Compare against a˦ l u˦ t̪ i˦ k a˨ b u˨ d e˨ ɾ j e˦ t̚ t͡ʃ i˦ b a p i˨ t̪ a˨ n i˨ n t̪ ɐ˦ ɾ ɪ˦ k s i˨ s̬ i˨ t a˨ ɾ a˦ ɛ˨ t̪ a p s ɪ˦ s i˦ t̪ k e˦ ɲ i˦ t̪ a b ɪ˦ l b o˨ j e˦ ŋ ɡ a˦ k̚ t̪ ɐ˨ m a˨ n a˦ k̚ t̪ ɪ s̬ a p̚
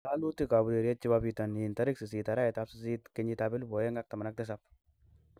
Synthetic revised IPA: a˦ l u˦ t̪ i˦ k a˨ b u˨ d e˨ ɾ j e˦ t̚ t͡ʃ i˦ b a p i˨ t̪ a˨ n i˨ n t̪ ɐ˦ ɾ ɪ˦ k s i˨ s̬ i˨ t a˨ ɾ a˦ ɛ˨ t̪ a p s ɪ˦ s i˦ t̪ k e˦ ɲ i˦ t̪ a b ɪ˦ l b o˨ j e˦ ŋ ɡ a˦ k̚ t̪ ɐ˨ m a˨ n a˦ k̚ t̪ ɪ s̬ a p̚